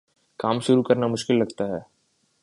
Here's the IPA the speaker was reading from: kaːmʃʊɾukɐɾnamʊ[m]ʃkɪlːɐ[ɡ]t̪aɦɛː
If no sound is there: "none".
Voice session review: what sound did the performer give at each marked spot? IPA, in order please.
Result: none, ɡ

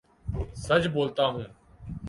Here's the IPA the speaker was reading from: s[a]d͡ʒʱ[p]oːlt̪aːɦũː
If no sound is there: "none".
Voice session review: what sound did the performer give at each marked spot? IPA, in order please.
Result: ə, b

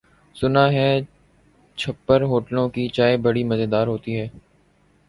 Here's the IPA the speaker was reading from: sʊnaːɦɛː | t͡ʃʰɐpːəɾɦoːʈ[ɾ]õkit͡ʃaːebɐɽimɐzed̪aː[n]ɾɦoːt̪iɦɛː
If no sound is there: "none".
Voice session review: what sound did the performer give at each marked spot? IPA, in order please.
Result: l, none

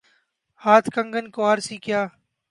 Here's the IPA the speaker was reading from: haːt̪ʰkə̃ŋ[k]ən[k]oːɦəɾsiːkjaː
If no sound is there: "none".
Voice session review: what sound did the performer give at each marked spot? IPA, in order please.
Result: ɡ, k

